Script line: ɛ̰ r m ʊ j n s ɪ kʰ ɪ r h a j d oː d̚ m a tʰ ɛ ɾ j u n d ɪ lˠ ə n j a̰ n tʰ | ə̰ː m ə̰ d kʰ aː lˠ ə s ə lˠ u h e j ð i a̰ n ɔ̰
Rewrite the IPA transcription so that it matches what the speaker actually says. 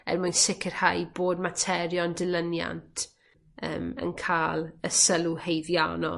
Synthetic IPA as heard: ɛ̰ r m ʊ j n s ɪ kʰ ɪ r h a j b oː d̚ m a tʰ ɛ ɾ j ɔ n d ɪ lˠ ə n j a̰ n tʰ | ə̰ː m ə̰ n kʰ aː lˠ ə s ə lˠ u h e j ð j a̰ n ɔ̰